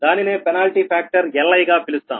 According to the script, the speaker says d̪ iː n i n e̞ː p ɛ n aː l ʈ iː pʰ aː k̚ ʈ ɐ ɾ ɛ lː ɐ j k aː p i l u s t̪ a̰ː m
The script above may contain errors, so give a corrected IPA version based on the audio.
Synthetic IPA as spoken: d̪ aː n i n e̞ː p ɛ n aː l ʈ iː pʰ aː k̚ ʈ ɐ ɾ ɛ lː ɐ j ɡ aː p i l u s t̪ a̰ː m